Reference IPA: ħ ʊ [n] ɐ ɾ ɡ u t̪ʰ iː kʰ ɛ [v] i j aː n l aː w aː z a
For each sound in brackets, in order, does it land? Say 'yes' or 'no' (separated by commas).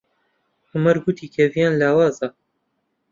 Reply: no, yes